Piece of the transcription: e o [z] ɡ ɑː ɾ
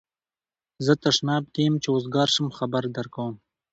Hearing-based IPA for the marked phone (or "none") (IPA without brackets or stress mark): z